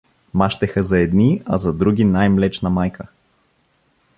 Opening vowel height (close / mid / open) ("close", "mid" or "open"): open